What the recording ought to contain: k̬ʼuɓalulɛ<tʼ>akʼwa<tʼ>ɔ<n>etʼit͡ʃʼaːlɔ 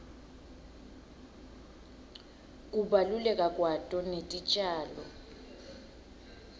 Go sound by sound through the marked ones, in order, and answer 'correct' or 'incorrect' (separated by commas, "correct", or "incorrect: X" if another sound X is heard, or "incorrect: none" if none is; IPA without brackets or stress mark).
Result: incorrect: kʼ, correct, correct